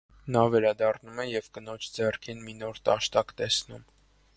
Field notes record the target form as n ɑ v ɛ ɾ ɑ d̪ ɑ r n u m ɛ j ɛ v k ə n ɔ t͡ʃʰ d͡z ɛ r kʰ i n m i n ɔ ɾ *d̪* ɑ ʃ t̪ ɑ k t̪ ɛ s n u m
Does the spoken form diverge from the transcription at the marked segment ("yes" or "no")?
yes